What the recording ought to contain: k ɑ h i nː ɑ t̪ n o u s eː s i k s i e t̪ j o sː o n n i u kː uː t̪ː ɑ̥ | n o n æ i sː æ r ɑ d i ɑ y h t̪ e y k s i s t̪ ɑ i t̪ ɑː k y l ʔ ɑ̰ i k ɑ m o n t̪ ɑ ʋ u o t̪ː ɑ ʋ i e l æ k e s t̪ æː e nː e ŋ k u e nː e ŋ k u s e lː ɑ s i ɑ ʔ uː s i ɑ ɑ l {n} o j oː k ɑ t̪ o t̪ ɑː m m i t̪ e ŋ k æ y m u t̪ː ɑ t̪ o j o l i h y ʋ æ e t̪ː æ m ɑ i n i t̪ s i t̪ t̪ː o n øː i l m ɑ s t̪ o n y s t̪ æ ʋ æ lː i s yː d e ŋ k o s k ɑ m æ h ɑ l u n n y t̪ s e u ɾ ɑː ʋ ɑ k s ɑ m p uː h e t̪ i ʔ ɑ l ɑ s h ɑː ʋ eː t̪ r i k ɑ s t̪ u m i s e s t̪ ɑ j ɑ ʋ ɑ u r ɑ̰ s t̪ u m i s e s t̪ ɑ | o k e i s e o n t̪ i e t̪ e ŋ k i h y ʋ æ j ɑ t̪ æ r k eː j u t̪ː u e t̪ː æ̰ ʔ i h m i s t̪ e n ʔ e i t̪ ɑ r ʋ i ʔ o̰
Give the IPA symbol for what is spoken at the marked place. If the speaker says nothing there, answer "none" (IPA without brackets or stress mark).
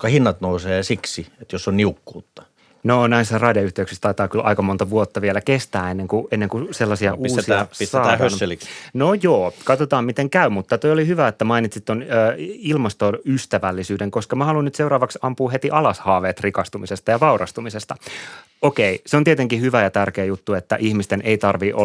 n